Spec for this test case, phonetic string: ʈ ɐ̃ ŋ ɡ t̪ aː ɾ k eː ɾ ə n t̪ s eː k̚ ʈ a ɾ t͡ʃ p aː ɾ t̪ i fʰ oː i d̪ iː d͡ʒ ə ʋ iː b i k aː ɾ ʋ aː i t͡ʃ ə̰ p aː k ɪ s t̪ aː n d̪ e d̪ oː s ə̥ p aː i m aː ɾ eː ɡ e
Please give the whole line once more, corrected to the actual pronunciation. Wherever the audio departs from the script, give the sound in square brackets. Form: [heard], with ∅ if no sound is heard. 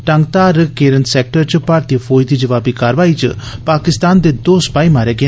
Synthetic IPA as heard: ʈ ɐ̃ ŋ ɡ t̪ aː ɾ k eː ɾ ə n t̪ s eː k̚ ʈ [ə] ɾ t͡ʃ p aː ɾ t̪ i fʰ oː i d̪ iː d͡ʒ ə ʋ [aː] b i k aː ɾ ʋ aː i t͡ʃ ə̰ p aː k ɪ s t̪ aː n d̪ e d̪ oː s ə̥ p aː i m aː ɾ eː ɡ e

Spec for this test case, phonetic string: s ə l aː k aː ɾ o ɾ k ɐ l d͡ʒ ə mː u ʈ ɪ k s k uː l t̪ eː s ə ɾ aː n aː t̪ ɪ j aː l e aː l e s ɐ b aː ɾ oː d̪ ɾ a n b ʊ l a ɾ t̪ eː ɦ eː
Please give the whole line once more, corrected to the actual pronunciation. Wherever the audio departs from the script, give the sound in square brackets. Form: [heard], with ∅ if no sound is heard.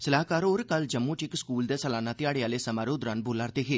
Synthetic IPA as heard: s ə l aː k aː ɾ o ɾ k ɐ l d͡ʒ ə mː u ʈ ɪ k s k uː l [d̪] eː s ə [l] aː n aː t̪ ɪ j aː [ɽ] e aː l e s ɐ [m] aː ɾ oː d̪ ɾ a n b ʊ l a ɾ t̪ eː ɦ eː

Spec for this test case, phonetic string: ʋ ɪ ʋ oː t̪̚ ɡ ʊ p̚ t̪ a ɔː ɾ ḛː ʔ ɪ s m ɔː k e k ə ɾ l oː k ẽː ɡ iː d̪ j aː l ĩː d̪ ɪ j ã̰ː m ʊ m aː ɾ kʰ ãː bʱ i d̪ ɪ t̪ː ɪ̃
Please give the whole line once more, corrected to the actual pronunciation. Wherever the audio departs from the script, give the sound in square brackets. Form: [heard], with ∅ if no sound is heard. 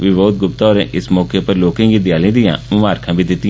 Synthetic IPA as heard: ʋ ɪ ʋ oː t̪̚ ɡ ʊ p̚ t̪ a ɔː ɾ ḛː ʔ ɪ s m ɔː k e [p] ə ɾ l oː k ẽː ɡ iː d̪ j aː l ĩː d̪ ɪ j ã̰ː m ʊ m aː ɾ kʰ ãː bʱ i d̪ ɪ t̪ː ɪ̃

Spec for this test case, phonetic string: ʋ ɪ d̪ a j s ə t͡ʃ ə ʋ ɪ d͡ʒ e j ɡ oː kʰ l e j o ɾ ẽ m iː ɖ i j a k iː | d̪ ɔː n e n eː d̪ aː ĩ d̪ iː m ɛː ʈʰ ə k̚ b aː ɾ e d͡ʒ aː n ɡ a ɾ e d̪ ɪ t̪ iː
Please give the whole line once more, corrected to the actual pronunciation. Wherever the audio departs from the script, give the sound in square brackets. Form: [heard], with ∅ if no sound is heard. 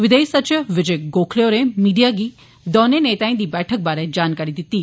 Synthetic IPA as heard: ʋ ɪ d̪ [e] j s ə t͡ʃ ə ʋ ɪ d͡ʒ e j ɡ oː kʰ l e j o ɾ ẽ m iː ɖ i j a [ɡ] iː | d̪ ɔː n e n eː [t̪] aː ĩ d̪ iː [b] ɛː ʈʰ ə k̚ b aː ɾ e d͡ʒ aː n [k] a ɾ [i] d̪ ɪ t̪ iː

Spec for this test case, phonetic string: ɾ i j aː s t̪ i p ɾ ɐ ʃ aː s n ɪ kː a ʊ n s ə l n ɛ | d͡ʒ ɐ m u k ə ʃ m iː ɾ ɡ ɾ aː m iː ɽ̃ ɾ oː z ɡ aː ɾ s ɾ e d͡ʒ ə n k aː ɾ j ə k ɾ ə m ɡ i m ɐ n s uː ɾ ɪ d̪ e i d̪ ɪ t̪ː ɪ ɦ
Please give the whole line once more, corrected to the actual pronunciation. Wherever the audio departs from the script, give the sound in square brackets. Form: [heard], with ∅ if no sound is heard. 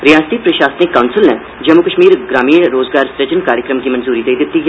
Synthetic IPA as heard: ɾ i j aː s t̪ i p ɾ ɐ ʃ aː s n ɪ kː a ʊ n s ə l n ɛ | d͡ʒ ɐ m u k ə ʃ m iː ɾ ɡ ɾ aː m iː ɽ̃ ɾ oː z ɡ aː ɾ s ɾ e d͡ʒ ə n k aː ɾ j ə k ɾ ə m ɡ i m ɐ n [z] uː ɾ [i] d̪ e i d̪ ɪ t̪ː [i] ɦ

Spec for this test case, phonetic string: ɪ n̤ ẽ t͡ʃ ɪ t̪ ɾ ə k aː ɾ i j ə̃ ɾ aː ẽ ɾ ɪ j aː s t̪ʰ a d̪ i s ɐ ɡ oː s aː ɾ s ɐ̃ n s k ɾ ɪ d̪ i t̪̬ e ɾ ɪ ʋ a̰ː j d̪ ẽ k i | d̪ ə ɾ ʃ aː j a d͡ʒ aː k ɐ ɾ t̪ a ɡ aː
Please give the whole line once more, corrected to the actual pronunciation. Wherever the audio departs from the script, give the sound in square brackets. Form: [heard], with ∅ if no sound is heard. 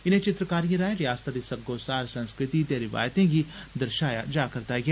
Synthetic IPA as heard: ɪ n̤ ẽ t͡ʃ ɪ t̪ ɾ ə k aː ɾ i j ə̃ ɾ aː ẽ ɾ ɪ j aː s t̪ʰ a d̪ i s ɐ ɡ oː s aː ɾ s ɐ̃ n s k ɾ ɪ [t̪] i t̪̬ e ɾ ɪ ʋ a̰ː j [t̪] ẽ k i | d̪ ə ɾ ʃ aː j a d͡ʒ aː k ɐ ɾ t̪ a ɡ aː

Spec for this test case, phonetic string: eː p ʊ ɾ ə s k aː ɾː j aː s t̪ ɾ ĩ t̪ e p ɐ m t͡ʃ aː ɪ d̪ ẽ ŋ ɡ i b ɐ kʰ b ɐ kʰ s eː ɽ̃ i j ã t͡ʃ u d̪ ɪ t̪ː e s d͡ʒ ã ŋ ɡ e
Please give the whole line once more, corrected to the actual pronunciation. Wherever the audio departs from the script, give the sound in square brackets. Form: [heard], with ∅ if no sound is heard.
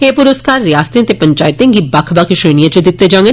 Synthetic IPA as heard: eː p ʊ ɾ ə s k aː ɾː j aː s t̪ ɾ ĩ t̪ e p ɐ [ɲ] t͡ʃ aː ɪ [t̪] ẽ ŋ ɡ i b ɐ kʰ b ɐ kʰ [ʃ] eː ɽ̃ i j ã t͡ʃ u d̪ ɪ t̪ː e [∅] d͡ʒ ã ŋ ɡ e

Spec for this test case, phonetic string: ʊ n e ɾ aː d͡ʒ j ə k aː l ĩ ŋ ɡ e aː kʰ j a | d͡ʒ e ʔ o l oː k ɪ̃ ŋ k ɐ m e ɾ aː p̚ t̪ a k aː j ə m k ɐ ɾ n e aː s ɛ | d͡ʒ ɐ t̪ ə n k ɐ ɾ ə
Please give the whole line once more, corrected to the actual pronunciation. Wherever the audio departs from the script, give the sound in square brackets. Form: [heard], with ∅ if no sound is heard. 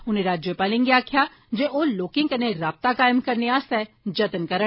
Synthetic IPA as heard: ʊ n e ɾ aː d͡ʒ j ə [p] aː l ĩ ŋ ɡ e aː kʰ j a | d͡ʒ e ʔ o l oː k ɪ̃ ŋ k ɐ [n] e ɾ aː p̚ t̪ a k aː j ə m k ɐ ɾ n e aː s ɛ | d͡ʒ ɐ t̪ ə n k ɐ ɾ ə

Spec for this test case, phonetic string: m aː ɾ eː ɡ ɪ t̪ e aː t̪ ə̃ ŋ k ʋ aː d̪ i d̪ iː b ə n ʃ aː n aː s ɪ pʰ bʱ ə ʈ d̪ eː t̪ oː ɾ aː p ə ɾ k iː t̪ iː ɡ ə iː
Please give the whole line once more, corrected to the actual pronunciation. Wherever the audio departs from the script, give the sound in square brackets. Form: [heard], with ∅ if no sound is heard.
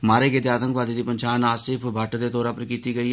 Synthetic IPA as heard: m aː ɾ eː ɡ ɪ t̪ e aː t̪ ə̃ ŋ k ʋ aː d̪ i d̪ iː [p] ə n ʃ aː n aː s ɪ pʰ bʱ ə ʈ d̪ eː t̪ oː ɾ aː p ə ɾ k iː t̪ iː ɡ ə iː

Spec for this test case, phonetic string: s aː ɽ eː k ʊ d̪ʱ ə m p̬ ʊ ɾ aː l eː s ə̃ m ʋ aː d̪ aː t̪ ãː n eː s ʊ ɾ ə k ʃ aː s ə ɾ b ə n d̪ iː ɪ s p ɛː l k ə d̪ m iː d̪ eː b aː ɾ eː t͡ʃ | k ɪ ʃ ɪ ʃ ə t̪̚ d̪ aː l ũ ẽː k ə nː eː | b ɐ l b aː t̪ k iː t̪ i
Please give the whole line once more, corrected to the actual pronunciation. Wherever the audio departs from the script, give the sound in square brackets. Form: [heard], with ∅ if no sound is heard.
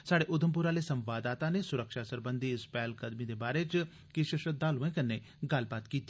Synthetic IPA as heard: s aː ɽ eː [ʔ] ʊ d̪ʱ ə m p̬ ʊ ɾ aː l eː s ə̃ m ʋ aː d̪ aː t̪ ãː n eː s ʊ ɾ ə k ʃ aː s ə ɾ b ə n d̪ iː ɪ s p ɛː l k ə d̪ m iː d̪ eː b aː ɾ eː t͡ʃ | k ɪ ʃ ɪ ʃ ə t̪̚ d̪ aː l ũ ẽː k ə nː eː | [ɡ] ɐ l b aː t̪ k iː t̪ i

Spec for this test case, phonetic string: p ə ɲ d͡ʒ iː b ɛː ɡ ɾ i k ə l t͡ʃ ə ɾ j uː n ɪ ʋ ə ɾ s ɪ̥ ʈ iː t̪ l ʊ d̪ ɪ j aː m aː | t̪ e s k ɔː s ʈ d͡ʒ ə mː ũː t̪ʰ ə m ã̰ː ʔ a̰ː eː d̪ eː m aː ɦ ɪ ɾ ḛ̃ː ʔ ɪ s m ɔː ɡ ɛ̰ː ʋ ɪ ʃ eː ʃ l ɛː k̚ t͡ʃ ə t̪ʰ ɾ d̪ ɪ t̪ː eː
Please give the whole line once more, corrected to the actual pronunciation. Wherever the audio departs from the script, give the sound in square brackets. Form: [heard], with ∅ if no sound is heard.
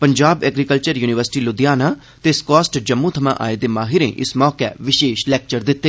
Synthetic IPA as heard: p ə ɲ d͡ʒ [aː] b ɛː ɡ ɾ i k ə l t͡ʃ ə ɾ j uː n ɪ ʋ ə ɾ s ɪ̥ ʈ iː [∅] l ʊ d̪ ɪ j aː [n] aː | t̪ e s k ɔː s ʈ d͡ʒ ə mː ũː t̪ʰ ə m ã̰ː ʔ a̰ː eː d̪ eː m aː ɦ ɪ ɾ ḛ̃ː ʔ ɪ s m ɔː [k] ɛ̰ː ʋ ɪ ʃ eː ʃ l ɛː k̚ t͡ʃ ə [∅] ɾ d̪ ɪ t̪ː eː

